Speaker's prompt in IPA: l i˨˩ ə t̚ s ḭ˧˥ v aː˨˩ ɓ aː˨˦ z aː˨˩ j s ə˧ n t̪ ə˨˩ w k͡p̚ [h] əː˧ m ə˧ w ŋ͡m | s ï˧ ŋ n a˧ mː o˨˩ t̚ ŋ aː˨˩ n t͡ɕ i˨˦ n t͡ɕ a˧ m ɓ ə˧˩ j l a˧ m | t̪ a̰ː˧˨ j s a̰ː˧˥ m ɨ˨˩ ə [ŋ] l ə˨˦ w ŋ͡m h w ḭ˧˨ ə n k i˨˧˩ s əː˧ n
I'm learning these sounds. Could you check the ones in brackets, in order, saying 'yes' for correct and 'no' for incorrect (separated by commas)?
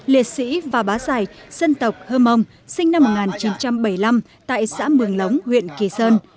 yes, yes